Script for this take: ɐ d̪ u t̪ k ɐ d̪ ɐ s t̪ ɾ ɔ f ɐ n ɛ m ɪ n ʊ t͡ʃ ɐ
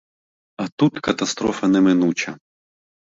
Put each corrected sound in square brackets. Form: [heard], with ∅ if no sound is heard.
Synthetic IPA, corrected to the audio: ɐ [t̪] u t̪ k ɐ [t̪] ɐ s t̪ ɾ ɔ f ɐ n ɛ m ɪ n [u] t͡ʃ ɐ